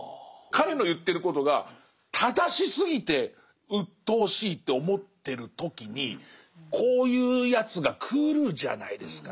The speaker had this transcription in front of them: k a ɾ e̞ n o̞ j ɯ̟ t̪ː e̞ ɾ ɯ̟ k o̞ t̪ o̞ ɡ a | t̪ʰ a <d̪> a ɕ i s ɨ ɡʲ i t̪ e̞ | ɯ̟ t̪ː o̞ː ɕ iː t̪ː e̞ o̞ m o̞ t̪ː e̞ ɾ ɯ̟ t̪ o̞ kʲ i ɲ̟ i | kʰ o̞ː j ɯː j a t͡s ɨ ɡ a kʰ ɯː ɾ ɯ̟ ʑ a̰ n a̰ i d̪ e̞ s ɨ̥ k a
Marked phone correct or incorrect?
correct